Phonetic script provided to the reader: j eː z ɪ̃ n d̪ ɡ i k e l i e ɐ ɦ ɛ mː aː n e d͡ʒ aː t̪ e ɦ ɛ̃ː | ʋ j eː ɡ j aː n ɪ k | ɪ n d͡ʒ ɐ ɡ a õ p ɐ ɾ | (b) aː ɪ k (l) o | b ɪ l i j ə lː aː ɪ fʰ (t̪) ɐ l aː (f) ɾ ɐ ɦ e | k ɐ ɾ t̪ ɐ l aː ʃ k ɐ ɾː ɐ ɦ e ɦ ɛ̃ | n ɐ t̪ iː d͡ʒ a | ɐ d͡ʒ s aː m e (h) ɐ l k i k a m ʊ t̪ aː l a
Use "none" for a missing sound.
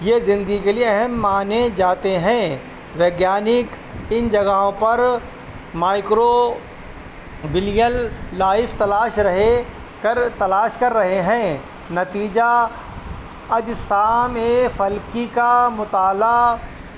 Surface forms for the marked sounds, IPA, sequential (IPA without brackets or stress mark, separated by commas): m, ɾ, t̪, ʃ, f